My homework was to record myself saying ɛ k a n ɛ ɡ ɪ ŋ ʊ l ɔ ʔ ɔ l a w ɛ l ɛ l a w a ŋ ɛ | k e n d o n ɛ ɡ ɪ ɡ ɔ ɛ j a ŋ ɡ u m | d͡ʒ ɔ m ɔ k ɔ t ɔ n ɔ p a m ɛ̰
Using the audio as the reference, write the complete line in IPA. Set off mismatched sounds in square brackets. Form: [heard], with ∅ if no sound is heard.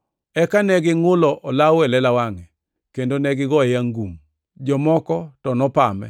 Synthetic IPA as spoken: ɛ k a n ɛ ɡ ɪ ŋ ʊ l ɔ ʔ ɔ l a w ɛ l ɛ l a w a ŋ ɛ | k e n d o n ɛ ɡ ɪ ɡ ɔ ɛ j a ŋ ɡ u m | d͡ʒ ɔ m ɔ k ɔ t ɔ n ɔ p a m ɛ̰